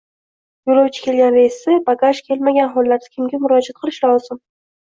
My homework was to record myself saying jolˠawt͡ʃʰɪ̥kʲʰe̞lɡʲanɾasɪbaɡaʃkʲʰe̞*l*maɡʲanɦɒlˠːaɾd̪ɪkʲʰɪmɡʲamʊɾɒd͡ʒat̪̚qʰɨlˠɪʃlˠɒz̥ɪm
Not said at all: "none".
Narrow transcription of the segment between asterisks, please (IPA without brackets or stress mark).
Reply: l